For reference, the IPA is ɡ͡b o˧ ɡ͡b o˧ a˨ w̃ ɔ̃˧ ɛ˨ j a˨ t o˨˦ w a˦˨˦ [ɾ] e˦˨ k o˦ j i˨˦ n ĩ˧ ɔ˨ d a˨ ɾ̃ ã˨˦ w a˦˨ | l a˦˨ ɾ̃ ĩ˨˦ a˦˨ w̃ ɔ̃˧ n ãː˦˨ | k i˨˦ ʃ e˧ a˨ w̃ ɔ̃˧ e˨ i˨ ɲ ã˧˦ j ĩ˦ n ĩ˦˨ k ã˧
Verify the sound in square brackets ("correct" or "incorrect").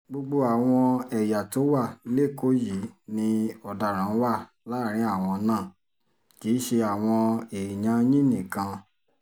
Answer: incorrect